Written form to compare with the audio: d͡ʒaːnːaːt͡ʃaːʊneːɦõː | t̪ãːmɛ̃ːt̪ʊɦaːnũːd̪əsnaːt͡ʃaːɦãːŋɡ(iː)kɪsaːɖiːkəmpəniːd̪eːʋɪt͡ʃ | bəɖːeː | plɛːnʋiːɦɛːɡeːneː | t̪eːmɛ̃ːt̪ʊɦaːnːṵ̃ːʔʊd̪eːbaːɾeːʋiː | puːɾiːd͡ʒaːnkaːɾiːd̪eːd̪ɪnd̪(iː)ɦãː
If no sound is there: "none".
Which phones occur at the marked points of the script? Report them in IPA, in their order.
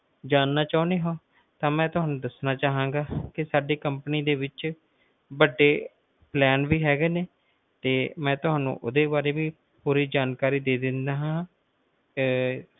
aː, aː

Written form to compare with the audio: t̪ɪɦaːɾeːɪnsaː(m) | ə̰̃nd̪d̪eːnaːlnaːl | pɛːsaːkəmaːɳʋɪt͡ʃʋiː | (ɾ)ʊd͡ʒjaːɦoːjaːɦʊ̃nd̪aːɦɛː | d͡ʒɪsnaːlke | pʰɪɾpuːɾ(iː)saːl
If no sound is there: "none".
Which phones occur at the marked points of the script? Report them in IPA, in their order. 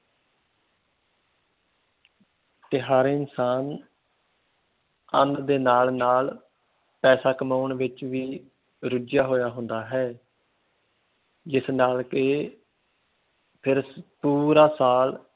n, ɾ, aː

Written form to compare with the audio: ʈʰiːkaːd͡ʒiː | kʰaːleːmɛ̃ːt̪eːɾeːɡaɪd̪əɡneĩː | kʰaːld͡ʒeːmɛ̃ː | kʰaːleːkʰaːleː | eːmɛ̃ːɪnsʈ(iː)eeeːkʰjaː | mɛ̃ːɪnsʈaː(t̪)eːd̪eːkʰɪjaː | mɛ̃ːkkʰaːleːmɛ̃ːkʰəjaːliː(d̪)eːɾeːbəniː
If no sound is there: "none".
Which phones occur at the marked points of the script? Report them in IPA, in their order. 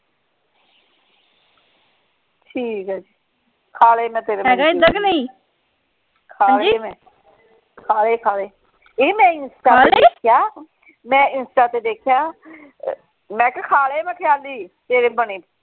aː, t̪, t̪

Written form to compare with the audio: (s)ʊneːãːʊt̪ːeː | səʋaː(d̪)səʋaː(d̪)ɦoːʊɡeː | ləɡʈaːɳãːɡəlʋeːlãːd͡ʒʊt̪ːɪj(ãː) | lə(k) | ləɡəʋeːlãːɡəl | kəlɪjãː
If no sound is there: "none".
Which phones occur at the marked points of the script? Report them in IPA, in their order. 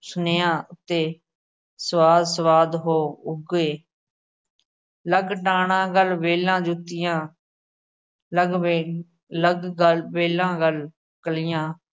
s, d̪, d̪, ãː, ɡ

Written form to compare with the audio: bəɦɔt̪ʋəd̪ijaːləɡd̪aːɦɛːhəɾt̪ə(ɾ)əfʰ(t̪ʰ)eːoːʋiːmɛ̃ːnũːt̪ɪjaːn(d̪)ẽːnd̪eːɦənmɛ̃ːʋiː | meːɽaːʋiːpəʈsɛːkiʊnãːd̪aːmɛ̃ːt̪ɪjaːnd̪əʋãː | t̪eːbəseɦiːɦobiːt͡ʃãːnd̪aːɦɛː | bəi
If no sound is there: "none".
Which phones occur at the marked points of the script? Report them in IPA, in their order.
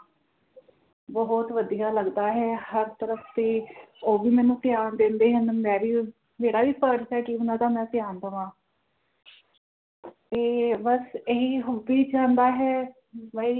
ɾ, t̪, d̪

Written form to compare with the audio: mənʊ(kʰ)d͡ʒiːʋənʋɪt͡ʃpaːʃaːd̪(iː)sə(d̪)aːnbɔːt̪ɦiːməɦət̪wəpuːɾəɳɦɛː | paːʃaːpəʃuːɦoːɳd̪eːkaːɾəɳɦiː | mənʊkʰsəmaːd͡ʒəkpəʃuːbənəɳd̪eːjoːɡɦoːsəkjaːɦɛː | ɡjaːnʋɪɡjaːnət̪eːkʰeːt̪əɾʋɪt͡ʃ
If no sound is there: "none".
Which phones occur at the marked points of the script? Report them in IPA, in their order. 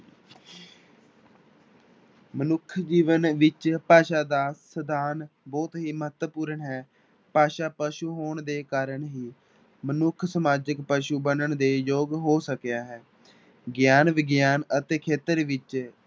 kʰ, aː, d̪

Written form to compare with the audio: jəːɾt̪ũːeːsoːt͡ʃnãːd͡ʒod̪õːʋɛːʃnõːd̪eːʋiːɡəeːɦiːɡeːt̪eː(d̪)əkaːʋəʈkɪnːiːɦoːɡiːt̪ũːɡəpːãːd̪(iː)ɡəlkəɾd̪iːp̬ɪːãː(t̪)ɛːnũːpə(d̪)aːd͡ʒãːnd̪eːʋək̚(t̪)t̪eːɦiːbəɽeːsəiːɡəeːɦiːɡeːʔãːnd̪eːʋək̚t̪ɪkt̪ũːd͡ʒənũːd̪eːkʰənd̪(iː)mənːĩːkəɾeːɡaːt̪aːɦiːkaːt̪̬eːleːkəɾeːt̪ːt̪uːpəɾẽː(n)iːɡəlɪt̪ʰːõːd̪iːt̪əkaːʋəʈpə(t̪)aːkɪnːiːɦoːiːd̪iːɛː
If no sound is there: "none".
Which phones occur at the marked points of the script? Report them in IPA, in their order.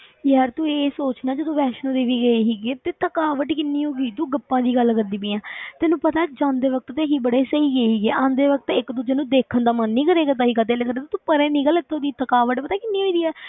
t̪, iː, t̪, t̪, t̪, aː, n, t̪

